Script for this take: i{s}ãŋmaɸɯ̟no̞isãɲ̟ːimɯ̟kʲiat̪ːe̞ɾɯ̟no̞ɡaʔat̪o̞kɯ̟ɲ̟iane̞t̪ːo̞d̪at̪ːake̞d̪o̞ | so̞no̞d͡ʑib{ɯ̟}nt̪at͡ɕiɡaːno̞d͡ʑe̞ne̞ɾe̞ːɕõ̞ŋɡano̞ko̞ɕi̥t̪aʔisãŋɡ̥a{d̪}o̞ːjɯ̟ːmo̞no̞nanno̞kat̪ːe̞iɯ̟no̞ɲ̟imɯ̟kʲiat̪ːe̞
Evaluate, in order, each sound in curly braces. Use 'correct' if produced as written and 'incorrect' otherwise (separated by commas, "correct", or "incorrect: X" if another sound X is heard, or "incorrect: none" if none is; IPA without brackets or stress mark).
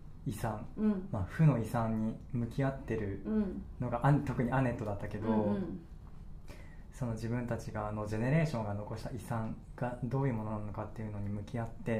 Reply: correct, incorrect: ɯ̟̃, correct